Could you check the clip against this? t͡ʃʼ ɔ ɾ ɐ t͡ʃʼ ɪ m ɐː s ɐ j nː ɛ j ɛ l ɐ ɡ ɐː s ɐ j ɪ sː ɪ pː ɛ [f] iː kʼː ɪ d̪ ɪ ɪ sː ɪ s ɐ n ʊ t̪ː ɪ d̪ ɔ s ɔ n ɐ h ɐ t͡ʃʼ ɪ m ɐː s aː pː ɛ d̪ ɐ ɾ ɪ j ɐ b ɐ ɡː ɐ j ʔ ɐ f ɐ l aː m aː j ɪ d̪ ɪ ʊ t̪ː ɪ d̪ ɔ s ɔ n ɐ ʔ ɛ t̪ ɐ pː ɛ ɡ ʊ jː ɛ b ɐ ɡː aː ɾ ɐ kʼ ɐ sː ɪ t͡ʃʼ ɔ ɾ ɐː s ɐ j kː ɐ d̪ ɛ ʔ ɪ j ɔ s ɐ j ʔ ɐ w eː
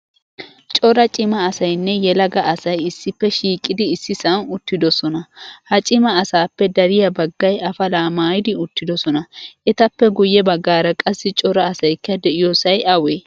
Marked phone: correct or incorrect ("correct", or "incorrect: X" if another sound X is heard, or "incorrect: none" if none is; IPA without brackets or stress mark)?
incorrect: ʃ